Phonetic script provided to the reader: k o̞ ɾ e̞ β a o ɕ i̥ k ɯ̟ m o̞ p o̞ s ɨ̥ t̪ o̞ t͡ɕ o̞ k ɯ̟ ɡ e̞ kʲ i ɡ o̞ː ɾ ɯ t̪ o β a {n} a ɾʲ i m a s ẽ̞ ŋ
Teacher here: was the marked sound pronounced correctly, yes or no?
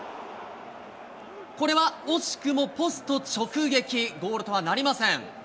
yes